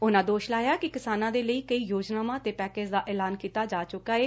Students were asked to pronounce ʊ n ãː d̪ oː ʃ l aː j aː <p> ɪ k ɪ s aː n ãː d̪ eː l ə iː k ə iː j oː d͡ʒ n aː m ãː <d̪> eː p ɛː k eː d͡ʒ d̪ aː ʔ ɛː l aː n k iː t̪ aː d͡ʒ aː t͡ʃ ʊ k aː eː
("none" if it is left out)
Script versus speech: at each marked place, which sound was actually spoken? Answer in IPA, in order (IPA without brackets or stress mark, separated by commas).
k, t̪